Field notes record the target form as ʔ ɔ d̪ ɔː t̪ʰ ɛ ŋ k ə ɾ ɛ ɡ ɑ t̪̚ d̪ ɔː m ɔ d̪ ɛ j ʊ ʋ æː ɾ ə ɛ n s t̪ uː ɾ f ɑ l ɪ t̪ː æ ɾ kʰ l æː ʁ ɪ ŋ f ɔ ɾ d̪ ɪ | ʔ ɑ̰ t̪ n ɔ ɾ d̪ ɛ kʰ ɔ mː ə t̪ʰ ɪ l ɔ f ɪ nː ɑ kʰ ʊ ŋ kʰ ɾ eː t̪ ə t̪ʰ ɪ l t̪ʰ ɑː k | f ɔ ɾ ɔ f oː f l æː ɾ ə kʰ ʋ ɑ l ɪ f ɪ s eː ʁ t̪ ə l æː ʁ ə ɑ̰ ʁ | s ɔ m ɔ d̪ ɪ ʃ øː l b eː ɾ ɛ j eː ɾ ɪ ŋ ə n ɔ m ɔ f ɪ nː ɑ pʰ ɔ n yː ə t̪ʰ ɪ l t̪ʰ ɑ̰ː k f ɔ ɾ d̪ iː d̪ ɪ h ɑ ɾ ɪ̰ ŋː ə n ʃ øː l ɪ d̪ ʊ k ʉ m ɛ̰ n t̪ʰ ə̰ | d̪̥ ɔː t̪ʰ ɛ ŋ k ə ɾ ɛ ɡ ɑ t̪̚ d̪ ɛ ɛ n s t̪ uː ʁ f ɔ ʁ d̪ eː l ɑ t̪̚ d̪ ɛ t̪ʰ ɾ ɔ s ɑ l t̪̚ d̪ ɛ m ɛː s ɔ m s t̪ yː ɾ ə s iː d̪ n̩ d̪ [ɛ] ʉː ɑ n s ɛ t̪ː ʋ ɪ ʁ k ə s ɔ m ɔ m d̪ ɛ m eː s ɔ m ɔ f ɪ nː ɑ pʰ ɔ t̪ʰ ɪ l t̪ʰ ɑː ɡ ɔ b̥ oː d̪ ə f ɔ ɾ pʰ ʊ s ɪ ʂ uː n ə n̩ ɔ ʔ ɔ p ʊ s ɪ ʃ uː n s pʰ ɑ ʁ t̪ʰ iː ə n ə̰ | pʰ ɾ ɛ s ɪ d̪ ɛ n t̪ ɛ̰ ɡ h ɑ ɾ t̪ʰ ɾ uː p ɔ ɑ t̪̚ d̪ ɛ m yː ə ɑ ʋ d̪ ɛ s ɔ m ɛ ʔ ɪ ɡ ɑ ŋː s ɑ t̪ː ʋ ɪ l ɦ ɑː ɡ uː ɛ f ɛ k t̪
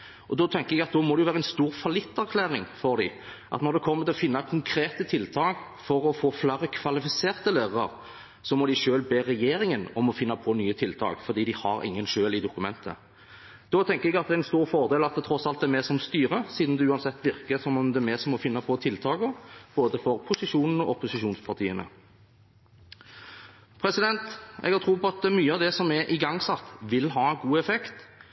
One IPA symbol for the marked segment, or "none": ɛ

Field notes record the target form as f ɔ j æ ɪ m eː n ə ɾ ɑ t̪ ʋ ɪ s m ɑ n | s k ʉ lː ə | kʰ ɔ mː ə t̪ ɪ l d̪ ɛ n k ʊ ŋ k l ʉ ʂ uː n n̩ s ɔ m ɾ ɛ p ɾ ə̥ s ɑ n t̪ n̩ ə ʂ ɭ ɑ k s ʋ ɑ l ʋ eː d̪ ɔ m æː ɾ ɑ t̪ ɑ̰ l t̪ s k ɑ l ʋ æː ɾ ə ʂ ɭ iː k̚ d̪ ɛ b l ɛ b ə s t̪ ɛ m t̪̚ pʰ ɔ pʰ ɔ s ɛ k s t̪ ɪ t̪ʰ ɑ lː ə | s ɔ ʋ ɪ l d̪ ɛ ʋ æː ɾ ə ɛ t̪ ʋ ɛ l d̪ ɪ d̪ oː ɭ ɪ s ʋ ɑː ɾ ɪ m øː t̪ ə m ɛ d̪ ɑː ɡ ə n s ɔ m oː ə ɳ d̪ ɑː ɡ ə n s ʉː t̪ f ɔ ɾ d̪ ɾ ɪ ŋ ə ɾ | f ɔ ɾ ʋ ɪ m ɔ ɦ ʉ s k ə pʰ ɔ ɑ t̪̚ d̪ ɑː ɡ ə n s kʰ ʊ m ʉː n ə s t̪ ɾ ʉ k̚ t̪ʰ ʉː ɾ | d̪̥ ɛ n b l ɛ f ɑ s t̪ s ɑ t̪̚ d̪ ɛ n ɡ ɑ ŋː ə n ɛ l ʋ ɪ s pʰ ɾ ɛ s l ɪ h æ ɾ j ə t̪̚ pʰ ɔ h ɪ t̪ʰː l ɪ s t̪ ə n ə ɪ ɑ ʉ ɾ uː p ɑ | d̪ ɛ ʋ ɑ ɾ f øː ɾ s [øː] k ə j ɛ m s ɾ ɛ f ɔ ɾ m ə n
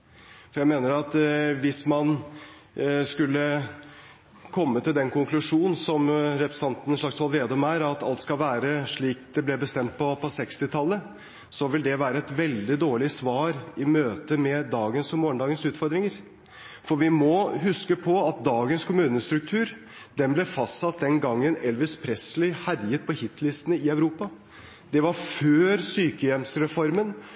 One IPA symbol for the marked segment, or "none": yː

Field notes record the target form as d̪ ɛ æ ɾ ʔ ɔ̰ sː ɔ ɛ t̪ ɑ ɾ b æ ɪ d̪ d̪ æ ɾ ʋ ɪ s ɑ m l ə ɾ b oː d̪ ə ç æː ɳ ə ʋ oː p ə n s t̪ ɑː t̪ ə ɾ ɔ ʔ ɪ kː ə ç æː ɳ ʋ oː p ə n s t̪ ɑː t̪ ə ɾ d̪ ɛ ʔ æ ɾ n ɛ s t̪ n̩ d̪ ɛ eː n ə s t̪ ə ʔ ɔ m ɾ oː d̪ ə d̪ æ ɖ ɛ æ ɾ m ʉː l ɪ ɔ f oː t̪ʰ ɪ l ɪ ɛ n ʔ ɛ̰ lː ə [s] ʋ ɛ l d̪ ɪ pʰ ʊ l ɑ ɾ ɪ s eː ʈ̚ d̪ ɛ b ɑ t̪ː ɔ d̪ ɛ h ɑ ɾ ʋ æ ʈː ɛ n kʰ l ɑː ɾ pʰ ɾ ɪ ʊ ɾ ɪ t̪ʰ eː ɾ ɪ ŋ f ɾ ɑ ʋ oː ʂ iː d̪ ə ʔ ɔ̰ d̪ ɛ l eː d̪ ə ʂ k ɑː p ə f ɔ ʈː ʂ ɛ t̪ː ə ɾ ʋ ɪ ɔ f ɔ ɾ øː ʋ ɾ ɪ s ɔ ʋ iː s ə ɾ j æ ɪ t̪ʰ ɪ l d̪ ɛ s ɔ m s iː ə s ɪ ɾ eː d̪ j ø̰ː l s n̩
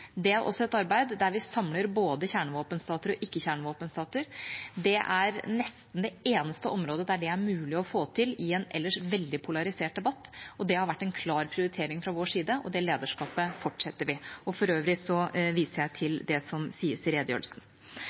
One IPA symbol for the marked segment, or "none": ʂ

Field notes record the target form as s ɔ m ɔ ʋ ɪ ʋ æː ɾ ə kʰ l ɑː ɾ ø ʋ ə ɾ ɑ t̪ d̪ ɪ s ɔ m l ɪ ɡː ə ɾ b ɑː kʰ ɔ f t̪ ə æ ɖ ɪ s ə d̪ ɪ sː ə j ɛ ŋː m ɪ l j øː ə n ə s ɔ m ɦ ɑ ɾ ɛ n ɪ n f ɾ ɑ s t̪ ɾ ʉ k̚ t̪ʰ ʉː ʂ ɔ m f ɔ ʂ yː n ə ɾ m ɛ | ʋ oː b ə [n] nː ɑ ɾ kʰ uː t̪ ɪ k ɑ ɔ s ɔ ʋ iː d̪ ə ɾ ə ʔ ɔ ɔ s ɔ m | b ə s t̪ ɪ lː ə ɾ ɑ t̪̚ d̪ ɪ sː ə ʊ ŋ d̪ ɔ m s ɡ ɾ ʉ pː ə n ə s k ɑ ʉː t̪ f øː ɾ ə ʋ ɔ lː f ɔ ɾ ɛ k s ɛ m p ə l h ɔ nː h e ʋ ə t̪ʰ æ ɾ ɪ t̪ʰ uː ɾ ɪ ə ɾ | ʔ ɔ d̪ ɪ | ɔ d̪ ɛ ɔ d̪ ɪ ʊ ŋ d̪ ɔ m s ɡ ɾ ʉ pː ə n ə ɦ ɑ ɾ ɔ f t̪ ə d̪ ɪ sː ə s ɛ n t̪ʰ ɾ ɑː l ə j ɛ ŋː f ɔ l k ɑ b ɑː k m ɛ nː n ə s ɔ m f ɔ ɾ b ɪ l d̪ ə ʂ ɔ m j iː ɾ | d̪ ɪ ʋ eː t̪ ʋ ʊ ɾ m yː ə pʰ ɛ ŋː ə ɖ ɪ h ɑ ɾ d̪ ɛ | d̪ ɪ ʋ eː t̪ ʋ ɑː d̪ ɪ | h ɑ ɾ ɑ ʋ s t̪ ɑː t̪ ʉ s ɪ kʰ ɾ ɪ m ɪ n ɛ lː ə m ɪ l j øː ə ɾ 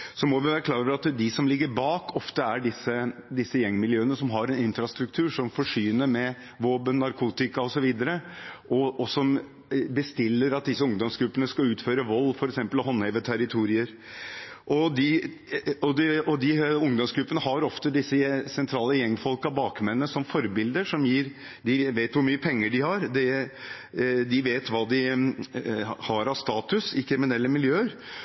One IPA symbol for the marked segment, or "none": n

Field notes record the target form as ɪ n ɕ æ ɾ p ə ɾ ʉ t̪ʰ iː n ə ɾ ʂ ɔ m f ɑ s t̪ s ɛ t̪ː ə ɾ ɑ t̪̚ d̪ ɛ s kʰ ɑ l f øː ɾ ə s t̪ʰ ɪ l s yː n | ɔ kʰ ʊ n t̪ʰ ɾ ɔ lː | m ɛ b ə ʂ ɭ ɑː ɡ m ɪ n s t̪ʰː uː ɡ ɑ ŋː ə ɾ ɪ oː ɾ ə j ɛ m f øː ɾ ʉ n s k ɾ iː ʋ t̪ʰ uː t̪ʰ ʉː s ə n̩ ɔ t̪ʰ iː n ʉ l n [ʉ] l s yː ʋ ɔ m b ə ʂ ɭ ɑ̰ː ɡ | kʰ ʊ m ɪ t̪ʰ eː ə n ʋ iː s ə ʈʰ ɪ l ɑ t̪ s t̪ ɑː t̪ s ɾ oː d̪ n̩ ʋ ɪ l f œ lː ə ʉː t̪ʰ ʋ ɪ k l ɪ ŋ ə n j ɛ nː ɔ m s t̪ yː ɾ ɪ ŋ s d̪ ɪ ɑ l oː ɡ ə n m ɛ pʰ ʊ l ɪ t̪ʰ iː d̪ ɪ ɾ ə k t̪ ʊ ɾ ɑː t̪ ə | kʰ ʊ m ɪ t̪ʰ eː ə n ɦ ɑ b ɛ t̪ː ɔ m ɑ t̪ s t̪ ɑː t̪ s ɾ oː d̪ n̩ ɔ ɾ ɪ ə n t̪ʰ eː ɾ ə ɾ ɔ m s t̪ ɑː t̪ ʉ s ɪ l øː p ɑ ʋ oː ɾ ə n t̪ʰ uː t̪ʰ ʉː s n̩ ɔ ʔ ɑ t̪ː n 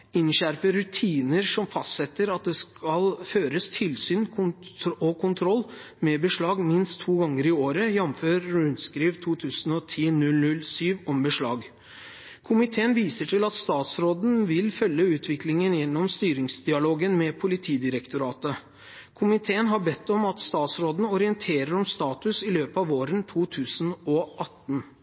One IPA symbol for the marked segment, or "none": ʉ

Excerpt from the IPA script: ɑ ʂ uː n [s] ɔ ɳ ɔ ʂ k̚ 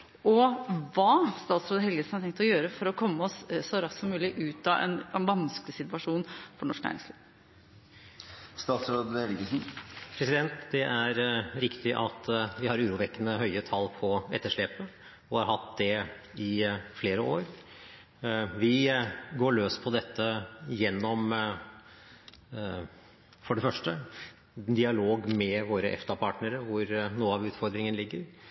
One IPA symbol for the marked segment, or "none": f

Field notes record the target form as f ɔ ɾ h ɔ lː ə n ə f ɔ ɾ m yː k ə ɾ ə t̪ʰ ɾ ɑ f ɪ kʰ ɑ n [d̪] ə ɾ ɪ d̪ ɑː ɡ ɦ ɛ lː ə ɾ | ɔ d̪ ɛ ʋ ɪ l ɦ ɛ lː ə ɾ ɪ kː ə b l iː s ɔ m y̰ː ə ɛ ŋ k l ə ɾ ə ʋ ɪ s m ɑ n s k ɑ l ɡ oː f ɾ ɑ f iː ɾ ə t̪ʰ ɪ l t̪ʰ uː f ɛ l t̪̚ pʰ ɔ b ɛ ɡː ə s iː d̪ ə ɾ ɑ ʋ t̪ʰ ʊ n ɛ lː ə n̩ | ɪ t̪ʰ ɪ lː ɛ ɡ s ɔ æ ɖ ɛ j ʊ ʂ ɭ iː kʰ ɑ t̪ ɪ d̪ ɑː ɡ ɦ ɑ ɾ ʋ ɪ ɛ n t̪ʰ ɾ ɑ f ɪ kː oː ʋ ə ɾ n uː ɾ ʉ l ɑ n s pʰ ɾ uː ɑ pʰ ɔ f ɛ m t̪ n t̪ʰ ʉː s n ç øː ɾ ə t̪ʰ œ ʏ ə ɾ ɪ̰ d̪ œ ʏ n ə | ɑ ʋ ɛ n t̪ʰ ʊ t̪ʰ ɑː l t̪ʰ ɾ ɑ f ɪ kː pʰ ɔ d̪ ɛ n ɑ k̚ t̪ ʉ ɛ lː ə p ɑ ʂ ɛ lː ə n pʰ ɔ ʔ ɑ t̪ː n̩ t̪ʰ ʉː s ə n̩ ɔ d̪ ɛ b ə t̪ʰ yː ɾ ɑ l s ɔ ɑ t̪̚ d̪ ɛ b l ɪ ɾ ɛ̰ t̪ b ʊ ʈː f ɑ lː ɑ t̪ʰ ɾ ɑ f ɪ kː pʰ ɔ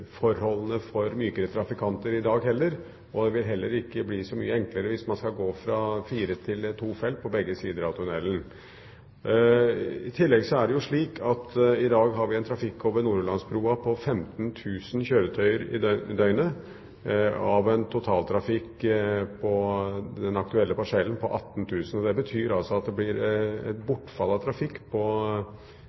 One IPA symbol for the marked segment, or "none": t̪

